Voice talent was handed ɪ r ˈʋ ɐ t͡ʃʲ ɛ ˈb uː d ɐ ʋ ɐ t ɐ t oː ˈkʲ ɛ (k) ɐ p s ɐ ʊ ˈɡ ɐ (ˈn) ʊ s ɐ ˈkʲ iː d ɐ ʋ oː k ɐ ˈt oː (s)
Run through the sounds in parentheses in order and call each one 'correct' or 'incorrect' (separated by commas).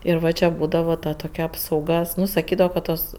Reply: incorrect, correct, correct